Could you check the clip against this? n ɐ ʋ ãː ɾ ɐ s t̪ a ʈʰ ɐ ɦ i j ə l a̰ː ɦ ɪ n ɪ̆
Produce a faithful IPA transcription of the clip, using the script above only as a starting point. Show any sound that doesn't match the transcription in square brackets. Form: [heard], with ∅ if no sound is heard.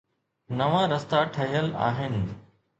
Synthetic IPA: n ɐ ʋ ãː ɾ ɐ s t̪ a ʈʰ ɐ ɦ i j ə l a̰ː ɦ ɪ n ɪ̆

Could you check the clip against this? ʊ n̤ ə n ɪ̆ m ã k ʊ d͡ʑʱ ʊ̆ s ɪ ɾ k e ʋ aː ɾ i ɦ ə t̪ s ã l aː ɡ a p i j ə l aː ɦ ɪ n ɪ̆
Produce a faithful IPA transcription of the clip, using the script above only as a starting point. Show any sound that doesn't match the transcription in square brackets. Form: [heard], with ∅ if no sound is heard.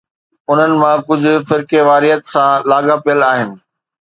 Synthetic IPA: ʊ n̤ ə n ɪ̆ m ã k ʊ d͡ʑʱ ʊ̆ [f] ɪ ɾ k e ʋ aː ɾ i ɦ ə t̪ s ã l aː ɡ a p i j ə l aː ɦ ɪ n ɪ̆

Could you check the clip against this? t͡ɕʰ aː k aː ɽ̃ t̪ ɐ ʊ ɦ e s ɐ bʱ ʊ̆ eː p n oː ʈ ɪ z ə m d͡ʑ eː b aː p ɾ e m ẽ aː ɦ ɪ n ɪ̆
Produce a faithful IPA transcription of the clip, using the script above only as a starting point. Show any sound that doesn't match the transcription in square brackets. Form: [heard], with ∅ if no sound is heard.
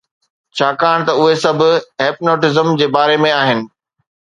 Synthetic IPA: t͡ɕʰ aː k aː ɽ̃ t̪ ɐ ʊ ɦ e s ɐ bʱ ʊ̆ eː p n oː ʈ ɪ z ə m d͡ʑ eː b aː [∅] ɾ e m ẽ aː ɦ ɪ n ɪ̆

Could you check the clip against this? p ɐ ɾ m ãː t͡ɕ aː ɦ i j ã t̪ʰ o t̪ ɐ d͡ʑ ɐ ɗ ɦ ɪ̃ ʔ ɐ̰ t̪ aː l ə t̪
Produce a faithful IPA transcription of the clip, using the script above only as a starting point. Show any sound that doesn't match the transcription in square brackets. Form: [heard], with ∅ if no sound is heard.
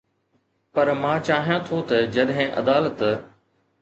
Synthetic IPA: p ɐ ɾ m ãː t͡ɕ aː ɦ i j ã t̪ʰ o t̪ ɐ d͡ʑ ɐ ɗ ɦ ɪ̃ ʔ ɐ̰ [d̪] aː l ə t̪

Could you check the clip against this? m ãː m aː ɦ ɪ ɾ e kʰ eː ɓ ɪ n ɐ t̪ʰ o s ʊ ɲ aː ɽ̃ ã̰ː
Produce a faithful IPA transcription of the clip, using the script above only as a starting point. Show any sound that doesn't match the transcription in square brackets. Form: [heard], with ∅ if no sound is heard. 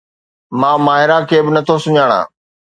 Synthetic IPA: m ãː m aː ɦ ɪ ɾ [a] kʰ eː [b] ɪ n ɐ t̪ʰ o s ʊ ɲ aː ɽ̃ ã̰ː

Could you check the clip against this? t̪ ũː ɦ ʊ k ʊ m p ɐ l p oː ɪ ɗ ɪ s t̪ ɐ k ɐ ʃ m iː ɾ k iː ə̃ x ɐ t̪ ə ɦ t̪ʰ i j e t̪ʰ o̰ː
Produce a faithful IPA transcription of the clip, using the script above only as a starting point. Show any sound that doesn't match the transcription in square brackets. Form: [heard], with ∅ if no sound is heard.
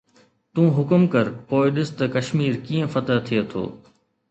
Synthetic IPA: t̪ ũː ɦ ʊ k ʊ m [k] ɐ [ɾ] p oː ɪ ɗ ɪ s t̪ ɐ k ɐ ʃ m iː ɾ k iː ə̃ [f] ɐ t̪ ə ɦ t̪ʰ i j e t̪ʰ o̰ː

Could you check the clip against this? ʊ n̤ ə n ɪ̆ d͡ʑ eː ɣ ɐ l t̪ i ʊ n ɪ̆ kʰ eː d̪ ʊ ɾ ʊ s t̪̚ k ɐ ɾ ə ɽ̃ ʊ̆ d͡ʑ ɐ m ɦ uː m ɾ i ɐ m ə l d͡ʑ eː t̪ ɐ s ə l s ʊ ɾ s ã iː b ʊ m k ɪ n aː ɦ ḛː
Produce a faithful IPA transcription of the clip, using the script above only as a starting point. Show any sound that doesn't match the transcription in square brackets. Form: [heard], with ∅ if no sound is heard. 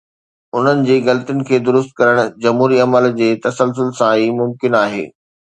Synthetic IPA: ʊ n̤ ə n ɪ̆ d͡ʑ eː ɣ ɐ l t̪ i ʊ n ɪ̆ kʰ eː d̪ ʊ ɾ ʊ s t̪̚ k ɐ ɾ ə ɽ̃ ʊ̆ d͡ʑ ɐ m ɦ uː [∅] ɾ i ɐ m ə l d͡ʑ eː t̪ ɐ s ə l s ʊ [l] s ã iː [m] ʊ m k ɪ n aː ɦ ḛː

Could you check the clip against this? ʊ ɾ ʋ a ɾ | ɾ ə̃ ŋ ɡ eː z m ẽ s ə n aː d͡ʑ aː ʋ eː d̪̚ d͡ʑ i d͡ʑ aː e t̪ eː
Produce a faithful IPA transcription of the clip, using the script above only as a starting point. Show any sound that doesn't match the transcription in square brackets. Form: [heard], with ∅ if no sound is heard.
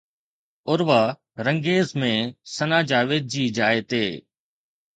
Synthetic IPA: ʊ ɾ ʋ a [∅] | ɾ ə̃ ŋ ɡ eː z m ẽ s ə n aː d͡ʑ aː ʋ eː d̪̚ d͡ʑ [iː] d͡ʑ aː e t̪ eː

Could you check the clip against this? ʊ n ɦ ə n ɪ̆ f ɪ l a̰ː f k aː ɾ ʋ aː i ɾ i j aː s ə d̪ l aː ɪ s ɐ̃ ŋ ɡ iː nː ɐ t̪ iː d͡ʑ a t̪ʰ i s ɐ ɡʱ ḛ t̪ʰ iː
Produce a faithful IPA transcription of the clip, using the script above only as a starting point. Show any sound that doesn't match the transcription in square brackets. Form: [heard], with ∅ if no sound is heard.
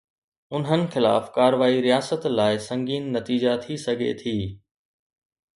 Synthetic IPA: ʊ n ɦ ə n ɪ̆ [x] ɪ l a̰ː f k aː ɾ ʋ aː i ɾ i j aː s ə [t̪] l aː ɪ s ɐ̃ ŋ ɡ iː nː ɐ t̪ iː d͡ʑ a t̪ʰ i s ɐ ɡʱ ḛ t̪ʰ iː

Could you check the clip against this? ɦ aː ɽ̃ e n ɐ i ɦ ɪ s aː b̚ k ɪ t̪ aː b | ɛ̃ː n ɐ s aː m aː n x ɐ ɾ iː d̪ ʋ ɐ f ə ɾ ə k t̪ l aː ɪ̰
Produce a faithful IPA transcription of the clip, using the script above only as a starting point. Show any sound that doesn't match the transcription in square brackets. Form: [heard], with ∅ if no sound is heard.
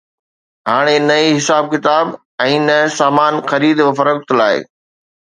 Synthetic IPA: ɦ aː ɽ̃ e n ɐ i ɦ ɪ s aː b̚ k ɪ t̪ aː b | ɛ̃ː n ɐ s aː m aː n x ɐ ɾ iː d̪ ʋ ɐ f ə ɾ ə k t̪ l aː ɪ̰

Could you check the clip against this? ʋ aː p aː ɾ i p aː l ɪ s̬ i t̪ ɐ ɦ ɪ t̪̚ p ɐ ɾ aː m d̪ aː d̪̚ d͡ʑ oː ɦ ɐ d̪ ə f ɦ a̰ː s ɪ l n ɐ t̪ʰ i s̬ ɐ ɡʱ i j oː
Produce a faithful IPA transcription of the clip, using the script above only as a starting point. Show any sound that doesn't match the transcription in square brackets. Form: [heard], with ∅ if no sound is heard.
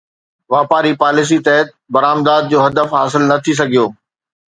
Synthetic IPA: ʋ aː p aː ɾ i p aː l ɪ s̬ i t̪ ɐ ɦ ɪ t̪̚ [b] ɐ ɾ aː m d̪ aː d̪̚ d͡ʑ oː ɦ ɐ d̪ ə f ɦ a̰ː s ɪ l n ɐ t̪ʰ i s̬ ɐ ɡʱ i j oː

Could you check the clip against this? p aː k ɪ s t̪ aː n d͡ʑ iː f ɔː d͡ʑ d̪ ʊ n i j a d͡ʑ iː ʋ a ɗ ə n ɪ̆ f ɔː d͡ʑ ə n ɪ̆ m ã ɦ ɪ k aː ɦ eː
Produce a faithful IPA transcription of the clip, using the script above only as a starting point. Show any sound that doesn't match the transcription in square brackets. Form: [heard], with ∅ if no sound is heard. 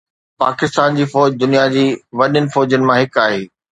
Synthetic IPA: p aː k ɪ s t̪ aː n d͡ʑ iː f ɔː d͡ʑ d̪ ʊ n i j a d͡ʑ iː ʋ [ɐ] ɗ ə n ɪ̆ f ɔː d͡ʑ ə n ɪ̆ m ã ɦ ɪ k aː ɦ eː

